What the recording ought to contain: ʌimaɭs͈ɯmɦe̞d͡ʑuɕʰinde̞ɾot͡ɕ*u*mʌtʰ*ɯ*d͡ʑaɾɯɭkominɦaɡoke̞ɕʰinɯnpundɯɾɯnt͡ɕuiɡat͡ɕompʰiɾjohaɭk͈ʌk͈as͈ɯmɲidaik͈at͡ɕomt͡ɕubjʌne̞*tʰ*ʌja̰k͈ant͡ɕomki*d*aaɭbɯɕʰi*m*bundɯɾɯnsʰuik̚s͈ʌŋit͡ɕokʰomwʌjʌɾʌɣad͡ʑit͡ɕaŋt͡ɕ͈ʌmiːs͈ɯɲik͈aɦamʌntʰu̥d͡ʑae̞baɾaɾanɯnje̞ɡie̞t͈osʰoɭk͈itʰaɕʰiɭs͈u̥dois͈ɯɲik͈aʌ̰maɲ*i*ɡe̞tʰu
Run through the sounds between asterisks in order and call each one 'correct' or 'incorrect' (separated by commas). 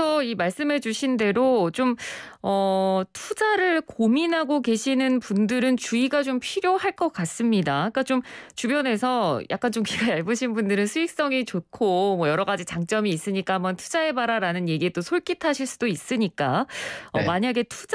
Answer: incorrect, incorrect, incorrect, incorrect, incorrect, incorrect